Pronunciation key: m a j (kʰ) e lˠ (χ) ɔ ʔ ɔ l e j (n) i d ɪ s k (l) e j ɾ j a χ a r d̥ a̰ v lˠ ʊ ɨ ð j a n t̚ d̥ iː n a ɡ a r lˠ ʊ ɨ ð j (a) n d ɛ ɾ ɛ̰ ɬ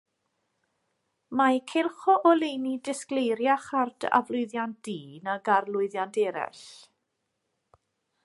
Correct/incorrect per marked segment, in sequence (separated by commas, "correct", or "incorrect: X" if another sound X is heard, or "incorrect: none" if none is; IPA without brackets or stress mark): correct, correct, correct, correct, correct